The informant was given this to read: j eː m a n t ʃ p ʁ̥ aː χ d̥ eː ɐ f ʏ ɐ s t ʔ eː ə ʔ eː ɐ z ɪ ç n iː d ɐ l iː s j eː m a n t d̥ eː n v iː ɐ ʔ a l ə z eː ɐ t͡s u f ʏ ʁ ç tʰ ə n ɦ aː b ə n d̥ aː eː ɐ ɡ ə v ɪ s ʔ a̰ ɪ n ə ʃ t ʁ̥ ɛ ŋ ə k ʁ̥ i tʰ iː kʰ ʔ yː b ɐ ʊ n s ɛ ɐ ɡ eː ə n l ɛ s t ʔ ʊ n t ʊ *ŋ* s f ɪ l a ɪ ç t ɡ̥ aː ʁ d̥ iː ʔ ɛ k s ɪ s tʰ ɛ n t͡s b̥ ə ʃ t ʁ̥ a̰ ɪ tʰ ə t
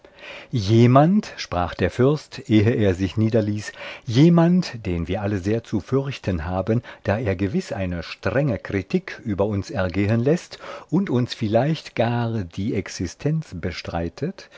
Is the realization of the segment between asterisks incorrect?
yes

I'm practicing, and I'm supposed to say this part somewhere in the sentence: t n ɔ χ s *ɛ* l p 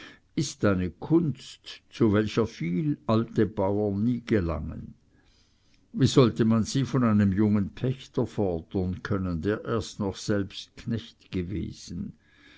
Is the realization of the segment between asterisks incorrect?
no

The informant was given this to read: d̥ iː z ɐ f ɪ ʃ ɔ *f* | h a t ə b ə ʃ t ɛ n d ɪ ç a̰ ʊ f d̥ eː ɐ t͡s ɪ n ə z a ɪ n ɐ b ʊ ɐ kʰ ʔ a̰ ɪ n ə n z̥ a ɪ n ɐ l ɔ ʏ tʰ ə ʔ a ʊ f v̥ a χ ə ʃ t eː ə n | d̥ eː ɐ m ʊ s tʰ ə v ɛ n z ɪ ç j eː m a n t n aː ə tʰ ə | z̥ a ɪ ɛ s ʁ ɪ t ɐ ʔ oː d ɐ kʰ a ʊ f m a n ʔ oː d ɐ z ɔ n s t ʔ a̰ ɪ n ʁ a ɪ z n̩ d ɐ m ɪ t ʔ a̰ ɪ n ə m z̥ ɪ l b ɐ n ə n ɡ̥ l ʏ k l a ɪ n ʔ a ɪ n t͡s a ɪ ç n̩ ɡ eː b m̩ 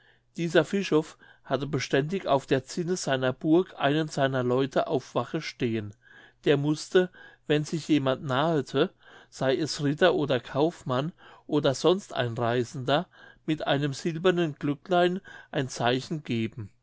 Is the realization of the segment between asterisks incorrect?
no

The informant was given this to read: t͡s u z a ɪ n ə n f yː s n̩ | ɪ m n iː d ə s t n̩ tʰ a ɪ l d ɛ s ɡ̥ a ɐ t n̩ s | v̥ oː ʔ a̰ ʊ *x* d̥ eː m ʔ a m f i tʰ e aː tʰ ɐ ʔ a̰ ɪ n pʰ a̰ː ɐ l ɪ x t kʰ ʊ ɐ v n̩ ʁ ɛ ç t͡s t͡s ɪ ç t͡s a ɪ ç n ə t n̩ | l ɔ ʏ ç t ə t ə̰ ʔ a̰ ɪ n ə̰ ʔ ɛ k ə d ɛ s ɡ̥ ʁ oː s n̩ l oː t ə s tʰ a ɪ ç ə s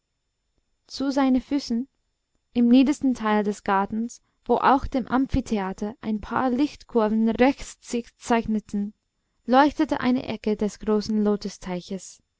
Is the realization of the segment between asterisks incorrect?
no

